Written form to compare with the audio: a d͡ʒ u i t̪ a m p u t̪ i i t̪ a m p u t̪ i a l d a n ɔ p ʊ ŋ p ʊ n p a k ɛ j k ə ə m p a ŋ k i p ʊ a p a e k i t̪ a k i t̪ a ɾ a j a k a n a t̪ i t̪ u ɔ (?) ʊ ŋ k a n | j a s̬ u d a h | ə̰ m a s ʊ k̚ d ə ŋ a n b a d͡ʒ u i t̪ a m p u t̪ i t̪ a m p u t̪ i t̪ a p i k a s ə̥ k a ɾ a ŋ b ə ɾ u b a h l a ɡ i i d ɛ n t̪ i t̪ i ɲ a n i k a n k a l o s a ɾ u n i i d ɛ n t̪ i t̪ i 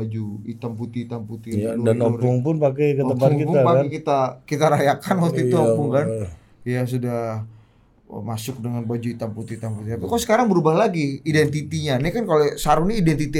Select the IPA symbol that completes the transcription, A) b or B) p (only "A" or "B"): B